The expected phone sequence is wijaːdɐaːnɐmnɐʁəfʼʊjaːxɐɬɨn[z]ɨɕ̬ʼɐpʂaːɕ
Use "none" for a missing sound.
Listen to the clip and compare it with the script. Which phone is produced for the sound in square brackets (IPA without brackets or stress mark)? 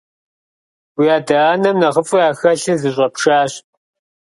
z